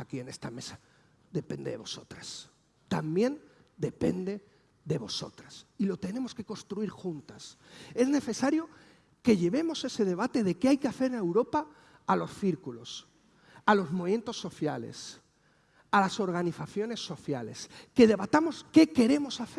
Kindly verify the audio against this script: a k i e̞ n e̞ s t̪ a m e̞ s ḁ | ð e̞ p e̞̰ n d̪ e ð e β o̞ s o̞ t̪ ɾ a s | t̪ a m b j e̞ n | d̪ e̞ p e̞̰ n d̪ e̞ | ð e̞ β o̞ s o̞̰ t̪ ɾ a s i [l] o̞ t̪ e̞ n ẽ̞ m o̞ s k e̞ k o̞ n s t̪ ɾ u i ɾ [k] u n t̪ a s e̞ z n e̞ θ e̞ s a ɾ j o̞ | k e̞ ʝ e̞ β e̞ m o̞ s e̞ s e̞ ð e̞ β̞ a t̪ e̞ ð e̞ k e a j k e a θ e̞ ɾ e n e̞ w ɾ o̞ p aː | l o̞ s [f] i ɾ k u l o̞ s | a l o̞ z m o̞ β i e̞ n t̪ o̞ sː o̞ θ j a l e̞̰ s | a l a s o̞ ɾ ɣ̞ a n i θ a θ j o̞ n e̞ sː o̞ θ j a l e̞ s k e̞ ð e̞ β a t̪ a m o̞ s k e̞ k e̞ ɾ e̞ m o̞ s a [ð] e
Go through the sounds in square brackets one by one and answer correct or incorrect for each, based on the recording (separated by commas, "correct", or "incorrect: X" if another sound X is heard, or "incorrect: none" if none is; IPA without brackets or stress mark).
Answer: correct, incorrect: x, incorrect: θ, incorrect: θ